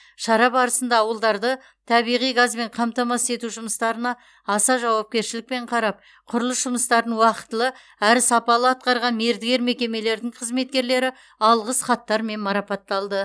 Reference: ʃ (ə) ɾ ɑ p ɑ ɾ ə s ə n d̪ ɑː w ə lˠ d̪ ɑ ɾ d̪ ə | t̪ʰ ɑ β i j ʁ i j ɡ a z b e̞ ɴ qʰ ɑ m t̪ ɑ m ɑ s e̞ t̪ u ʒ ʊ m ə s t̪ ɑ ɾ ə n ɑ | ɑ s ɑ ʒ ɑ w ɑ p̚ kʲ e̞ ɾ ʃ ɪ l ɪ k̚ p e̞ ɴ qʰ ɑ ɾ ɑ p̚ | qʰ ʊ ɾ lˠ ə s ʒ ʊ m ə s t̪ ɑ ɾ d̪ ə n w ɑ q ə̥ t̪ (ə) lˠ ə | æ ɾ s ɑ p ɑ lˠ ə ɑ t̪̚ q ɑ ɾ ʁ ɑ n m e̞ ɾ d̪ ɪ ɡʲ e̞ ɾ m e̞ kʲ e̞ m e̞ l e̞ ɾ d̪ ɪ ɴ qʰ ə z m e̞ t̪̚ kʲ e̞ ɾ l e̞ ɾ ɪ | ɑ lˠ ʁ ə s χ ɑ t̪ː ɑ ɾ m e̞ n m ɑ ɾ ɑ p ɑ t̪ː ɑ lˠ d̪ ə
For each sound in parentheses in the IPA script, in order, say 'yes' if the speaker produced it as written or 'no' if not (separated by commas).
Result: no, yes